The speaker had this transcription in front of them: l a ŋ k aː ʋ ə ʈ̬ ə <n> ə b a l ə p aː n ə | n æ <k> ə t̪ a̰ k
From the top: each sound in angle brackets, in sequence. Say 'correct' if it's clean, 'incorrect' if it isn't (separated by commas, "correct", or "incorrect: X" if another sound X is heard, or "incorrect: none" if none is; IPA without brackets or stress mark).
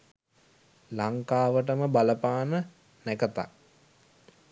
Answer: incorrect: m, correct